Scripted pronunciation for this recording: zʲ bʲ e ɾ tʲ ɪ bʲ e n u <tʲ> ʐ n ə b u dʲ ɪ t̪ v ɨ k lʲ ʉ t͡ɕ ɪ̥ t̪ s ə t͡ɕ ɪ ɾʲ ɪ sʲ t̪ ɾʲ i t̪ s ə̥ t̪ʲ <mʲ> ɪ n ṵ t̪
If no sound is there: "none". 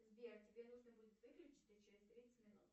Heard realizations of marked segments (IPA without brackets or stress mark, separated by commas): none, mʲ